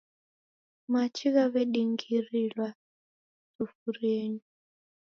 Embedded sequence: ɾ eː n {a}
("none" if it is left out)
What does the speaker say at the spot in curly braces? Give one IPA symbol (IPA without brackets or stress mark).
i